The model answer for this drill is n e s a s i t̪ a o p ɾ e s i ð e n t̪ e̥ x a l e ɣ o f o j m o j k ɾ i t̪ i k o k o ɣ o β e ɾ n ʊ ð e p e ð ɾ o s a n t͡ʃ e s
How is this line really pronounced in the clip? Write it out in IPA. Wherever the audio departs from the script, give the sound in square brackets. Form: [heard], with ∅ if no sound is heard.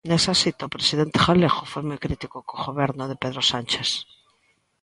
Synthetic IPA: n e s a s i t̪ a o p ɾ e s i ð e n t̪ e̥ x a l e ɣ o f o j m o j k ɾ i t̪ i k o k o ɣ o β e ɾ n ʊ ð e p e ð ɾ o s a n t͡ʃ e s